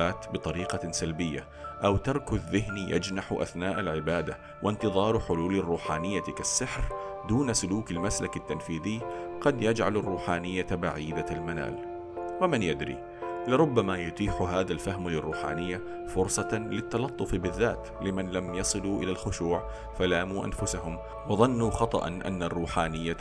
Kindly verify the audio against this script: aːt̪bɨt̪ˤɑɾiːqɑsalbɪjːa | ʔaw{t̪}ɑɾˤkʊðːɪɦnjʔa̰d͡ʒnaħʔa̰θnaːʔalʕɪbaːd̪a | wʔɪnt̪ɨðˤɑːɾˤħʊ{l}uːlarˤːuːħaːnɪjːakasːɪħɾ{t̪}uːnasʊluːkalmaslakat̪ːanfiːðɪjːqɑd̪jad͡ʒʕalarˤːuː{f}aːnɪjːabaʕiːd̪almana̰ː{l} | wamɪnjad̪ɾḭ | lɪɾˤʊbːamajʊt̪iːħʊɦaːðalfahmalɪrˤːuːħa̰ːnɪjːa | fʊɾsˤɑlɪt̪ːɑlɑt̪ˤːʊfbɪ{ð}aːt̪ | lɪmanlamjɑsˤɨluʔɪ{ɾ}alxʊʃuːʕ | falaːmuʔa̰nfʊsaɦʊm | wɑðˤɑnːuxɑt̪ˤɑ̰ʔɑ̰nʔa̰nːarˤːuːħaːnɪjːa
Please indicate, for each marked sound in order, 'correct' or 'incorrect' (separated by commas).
correct, correct, incorrect, incorrect, correct, incorrect, incorrect